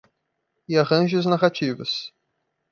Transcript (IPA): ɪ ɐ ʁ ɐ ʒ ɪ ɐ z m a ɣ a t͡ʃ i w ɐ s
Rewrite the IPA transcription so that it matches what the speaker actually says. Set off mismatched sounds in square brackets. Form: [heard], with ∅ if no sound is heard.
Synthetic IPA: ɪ [a] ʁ [ɐ̃] ʒ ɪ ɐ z [n] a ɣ a t͡ʃ i [v] ɐ s